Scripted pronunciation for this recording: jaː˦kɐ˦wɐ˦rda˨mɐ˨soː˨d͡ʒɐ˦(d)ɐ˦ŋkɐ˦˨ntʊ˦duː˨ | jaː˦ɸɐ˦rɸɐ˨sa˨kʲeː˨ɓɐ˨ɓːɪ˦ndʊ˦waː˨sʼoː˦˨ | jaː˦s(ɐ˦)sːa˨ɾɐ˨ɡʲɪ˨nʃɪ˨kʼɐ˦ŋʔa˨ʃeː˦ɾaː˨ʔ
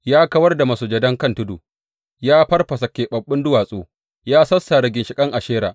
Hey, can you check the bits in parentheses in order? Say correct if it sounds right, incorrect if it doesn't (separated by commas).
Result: correct, correct